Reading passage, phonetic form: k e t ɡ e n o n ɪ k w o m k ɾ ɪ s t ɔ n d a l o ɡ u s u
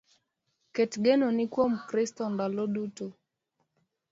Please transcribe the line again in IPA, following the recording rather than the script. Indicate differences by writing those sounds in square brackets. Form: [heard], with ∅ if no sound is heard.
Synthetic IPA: k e t ɡ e n o n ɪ k w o m k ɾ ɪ s t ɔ n d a l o [d] u [t] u